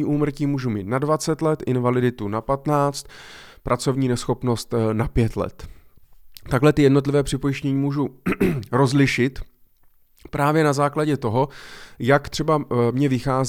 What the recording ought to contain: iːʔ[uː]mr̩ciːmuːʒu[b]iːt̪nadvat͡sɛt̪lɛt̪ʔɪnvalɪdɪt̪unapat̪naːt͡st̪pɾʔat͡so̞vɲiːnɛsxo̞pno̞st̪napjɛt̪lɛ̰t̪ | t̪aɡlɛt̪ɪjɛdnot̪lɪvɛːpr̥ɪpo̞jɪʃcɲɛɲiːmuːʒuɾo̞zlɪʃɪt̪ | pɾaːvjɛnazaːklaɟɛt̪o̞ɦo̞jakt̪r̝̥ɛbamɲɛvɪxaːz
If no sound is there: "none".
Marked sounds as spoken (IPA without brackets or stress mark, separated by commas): uː, m